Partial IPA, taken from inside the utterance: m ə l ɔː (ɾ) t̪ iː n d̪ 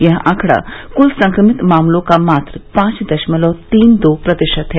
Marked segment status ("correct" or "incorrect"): incorrect